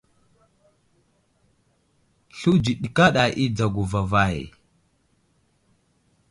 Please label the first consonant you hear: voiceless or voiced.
voiceless